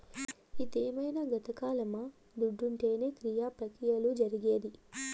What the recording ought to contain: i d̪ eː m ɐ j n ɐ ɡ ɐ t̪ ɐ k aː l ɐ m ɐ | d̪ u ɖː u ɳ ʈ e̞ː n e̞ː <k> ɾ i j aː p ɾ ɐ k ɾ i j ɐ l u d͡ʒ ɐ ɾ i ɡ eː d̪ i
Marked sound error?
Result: no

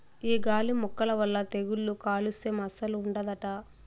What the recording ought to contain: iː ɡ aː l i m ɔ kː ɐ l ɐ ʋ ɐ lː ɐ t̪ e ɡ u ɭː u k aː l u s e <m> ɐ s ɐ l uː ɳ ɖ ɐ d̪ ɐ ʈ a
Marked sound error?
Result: no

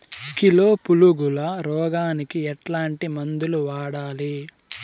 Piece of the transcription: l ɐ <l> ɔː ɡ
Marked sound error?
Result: yes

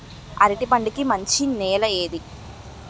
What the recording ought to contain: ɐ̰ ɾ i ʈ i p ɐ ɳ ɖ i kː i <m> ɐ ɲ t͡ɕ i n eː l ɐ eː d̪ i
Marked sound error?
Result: no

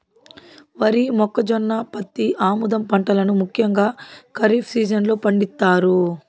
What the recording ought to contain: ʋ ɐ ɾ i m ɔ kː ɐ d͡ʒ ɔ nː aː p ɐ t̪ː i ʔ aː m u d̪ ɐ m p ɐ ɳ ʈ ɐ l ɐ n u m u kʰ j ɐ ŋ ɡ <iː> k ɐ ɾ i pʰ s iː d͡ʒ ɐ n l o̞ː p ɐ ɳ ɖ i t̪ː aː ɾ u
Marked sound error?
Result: yes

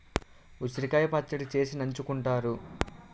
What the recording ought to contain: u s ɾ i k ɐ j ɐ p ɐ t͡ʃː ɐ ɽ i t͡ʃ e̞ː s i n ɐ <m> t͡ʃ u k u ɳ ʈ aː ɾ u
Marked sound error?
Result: yes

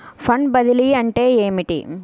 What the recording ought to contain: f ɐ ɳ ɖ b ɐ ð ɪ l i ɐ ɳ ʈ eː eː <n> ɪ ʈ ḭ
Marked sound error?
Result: yes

